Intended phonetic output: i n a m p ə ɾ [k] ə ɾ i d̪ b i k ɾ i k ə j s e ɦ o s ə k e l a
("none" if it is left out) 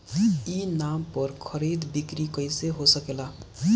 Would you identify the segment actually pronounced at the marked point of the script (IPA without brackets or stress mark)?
kʰ